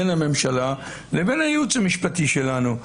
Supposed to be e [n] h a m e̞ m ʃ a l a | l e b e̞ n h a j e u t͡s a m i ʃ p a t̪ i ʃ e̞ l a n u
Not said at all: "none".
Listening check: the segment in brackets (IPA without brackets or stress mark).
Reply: n